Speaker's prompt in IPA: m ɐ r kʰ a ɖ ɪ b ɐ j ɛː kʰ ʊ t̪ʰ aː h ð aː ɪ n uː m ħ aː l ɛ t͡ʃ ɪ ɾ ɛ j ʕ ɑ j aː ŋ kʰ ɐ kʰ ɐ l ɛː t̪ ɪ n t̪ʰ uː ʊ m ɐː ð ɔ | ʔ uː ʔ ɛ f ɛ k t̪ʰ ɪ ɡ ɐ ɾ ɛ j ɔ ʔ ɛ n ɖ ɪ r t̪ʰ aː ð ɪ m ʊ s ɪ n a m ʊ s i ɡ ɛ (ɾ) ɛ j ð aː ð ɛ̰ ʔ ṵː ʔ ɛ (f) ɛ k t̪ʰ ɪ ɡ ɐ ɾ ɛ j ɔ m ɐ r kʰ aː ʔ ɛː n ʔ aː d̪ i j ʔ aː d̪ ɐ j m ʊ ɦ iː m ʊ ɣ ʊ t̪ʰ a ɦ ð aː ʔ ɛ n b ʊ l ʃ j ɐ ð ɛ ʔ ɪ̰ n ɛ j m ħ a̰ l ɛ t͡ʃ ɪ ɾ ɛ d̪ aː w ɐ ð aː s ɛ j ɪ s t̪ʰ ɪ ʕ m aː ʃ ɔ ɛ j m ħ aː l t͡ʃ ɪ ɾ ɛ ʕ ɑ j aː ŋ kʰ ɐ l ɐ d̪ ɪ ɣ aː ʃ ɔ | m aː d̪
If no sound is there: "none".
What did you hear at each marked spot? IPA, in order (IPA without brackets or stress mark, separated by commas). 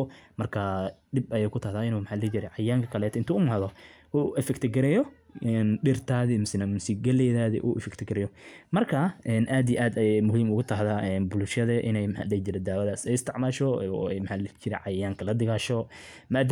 l, f